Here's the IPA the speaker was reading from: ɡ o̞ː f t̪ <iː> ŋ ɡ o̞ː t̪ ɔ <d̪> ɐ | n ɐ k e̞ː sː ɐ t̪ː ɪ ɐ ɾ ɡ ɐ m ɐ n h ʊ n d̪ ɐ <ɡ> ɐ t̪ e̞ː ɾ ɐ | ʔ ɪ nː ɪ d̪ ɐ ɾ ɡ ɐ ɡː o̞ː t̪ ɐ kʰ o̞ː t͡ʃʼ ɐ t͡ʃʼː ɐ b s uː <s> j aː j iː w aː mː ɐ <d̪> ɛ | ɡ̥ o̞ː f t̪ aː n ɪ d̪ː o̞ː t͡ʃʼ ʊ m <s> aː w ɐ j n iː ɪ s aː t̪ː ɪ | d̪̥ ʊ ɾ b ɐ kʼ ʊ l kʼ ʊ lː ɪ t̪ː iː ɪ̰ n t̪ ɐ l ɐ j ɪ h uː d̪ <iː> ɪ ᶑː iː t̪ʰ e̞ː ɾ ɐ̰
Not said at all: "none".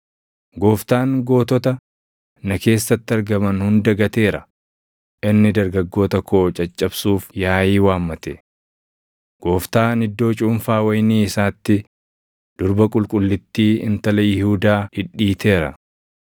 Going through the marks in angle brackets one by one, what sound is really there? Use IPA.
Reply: aː, t̪, ɡ, f, t̪, f, aː

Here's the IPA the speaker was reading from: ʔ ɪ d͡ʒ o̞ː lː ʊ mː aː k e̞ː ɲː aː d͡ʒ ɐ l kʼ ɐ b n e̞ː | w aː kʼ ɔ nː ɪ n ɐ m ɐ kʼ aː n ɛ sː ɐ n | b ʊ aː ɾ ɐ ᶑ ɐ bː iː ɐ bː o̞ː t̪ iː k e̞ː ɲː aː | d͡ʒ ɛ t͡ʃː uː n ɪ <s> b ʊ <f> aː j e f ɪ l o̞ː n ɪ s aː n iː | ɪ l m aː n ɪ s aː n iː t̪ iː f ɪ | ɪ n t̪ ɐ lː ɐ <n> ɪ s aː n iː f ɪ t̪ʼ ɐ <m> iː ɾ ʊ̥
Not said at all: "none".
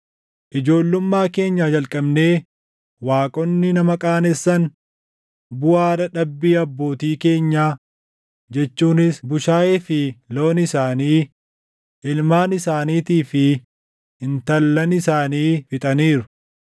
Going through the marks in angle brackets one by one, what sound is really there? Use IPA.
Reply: s, ʃ, n, n

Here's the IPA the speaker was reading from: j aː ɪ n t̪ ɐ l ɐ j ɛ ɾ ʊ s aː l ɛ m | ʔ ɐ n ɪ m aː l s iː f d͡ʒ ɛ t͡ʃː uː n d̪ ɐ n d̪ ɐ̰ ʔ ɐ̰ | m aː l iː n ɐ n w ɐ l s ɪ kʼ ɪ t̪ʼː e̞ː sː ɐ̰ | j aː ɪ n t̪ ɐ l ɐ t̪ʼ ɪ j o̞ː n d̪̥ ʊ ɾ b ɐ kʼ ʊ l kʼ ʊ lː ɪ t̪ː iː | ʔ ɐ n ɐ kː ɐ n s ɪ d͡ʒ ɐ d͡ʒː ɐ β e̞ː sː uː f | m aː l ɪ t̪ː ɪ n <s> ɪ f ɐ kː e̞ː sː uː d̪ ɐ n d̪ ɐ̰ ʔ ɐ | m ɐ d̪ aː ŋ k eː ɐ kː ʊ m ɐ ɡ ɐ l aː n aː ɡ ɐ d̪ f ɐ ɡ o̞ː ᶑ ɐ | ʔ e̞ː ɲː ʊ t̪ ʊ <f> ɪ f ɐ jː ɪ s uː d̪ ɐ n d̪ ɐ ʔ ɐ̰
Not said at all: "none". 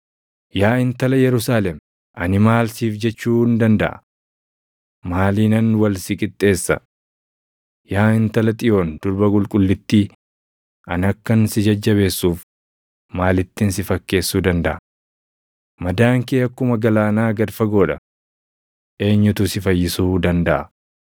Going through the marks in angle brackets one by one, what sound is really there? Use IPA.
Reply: s, s

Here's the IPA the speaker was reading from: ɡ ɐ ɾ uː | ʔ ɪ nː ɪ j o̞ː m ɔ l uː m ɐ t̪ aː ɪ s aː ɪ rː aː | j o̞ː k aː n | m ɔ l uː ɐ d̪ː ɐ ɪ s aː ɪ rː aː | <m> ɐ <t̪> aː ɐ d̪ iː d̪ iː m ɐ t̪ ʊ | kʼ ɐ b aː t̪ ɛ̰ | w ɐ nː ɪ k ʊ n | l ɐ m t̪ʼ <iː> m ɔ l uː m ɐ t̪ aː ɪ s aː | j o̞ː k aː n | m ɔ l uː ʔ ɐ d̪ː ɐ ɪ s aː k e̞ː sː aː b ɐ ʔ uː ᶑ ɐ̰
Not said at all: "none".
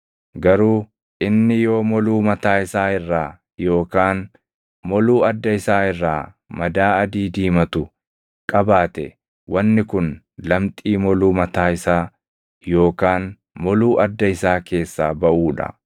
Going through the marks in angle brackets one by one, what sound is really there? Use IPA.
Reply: m, d̪, iː

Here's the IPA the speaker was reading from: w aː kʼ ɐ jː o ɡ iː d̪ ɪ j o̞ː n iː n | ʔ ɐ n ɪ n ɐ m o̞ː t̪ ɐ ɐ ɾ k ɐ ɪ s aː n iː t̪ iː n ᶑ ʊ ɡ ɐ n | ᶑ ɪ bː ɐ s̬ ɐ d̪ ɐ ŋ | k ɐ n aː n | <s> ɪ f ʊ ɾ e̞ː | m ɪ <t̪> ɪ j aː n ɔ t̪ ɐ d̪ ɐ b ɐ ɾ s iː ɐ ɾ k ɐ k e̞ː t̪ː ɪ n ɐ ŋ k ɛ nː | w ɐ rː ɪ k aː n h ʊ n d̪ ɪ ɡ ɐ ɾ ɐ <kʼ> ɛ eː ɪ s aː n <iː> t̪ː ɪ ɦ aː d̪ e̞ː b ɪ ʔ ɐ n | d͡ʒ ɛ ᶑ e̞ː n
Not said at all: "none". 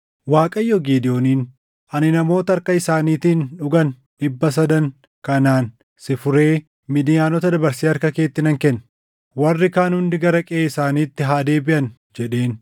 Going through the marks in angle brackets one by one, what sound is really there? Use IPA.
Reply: s, d̪, kʼ, iː

